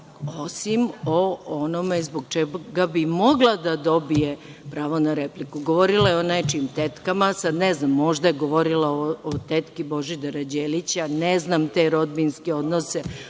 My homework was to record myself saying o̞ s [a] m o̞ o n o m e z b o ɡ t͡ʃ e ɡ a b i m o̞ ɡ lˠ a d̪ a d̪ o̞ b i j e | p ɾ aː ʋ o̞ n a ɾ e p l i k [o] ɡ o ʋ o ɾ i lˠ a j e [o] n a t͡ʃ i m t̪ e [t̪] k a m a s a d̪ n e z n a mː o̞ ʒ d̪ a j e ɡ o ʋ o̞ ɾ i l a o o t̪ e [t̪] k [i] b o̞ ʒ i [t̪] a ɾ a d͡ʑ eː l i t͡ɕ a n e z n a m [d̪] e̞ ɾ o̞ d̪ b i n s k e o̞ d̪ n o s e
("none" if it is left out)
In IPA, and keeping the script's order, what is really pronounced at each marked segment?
i, u, o, t̪, t̪, i, d̪, t̪

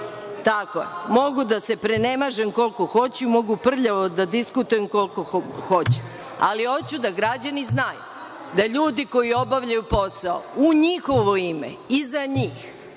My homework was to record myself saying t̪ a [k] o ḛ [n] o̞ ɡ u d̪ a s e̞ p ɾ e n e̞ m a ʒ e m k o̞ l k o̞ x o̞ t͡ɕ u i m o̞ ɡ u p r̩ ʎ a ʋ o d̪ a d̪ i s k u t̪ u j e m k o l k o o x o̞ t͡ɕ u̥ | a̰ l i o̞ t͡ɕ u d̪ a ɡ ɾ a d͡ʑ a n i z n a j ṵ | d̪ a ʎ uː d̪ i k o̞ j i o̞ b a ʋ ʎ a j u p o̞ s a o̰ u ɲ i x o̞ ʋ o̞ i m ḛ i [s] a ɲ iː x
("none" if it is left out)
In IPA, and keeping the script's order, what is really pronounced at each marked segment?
k, m, z

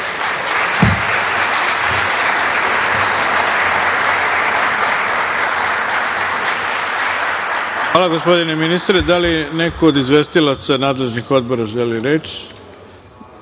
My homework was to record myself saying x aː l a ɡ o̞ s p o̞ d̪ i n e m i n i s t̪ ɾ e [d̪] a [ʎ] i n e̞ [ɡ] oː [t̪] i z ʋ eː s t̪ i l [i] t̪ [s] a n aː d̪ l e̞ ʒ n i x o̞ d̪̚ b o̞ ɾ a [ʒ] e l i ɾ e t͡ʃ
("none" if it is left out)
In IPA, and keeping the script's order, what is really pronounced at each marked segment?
d̪, l, k, d̪, a, s, ʒ

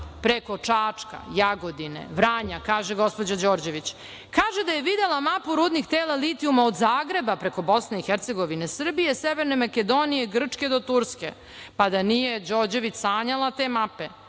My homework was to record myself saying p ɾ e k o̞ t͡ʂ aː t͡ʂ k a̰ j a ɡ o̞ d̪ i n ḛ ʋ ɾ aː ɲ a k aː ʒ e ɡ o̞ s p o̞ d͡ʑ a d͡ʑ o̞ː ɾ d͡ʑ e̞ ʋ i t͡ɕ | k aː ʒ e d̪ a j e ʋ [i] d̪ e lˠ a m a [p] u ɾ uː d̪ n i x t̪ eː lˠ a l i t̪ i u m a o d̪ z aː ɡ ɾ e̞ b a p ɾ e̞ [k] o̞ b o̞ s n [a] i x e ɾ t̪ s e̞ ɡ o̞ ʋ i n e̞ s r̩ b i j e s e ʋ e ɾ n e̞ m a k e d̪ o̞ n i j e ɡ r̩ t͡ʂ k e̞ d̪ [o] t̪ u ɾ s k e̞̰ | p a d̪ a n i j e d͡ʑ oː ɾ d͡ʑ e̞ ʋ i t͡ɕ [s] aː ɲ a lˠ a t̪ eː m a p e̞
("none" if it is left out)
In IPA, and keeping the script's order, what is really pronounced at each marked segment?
i, p, k, e, o, s

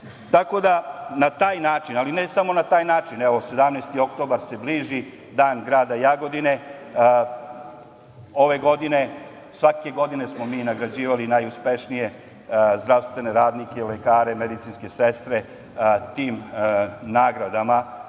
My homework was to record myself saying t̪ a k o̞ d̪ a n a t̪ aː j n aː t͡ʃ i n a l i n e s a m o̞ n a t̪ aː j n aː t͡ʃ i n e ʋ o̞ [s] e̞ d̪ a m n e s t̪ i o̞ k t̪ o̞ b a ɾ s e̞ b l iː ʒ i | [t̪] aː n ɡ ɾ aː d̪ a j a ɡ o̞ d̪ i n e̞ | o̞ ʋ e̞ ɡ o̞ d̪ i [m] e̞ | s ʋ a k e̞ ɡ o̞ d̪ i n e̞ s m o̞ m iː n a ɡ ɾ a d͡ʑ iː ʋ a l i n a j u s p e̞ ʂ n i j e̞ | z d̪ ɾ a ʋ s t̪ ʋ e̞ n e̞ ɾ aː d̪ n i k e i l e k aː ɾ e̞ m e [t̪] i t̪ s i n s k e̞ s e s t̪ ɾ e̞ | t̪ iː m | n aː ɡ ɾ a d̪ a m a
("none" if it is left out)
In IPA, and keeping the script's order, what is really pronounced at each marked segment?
s, d̪, n, d̪

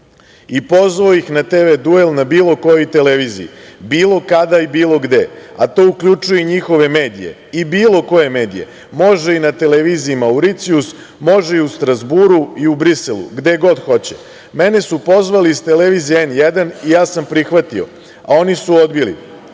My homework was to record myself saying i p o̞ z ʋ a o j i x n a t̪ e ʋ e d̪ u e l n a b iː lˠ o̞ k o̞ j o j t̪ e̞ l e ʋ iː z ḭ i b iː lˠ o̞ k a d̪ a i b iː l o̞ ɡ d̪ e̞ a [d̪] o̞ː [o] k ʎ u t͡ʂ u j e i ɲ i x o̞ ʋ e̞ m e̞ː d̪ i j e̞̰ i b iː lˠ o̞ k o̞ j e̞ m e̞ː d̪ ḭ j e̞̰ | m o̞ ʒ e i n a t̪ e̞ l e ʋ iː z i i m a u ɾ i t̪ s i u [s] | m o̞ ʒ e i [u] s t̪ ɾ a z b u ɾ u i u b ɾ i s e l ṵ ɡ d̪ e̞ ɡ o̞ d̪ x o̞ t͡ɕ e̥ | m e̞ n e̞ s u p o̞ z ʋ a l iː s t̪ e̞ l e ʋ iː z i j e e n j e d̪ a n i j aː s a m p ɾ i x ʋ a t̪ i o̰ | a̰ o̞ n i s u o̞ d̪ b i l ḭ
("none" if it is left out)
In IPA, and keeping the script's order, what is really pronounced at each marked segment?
t̪, u, s, u

